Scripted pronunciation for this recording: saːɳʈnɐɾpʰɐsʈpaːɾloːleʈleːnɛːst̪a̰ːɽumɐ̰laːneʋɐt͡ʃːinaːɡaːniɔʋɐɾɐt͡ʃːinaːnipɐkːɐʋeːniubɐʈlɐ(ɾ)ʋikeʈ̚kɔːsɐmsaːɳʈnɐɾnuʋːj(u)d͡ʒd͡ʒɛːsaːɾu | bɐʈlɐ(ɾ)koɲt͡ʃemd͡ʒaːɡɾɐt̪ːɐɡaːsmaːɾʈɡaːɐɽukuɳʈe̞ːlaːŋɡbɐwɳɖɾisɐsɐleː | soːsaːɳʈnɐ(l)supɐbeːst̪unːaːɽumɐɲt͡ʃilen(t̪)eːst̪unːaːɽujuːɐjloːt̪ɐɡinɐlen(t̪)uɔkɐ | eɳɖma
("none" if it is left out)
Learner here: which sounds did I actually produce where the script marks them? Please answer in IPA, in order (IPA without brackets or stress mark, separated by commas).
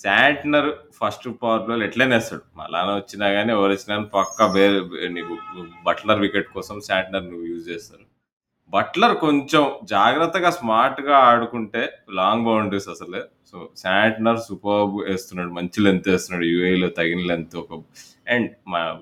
ɾ, uː, ɾ, ɾ, t̪, t̪